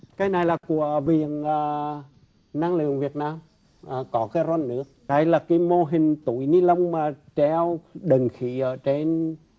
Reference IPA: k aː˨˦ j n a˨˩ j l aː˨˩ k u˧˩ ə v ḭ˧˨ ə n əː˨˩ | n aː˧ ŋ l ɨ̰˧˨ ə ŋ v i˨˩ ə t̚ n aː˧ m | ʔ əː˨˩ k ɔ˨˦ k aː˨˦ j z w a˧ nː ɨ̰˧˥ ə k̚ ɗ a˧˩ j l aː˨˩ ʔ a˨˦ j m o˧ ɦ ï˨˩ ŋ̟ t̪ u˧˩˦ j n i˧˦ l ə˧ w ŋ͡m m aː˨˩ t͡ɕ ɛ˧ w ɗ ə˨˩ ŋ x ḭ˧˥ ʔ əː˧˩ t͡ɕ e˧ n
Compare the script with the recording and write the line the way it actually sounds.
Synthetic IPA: k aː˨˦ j n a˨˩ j l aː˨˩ k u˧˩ ə v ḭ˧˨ ə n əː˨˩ | n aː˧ ŋ l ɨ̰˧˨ ə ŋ v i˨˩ ə t̚ n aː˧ m | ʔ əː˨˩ k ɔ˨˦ k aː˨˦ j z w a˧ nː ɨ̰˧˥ ə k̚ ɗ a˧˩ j l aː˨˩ k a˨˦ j m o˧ ɦ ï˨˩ ŋ̟ t̪ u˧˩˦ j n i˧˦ l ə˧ w ŋ͡m m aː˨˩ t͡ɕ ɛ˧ w ɗ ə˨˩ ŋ x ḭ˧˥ ʔ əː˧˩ t͡ɕ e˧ n